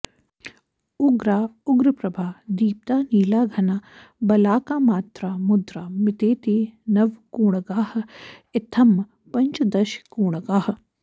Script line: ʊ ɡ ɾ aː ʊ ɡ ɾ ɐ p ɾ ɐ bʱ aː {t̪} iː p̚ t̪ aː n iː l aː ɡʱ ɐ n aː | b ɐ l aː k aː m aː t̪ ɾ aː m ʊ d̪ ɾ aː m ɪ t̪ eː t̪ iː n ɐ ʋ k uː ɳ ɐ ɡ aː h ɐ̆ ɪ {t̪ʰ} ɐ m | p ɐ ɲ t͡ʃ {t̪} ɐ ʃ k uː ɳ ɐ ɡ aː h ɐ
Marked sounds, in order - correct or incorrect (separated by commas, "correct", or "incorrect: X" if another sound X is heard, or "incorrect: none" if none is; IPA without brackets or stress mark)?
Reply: incorrect: d̪, correct, incorrect: d̪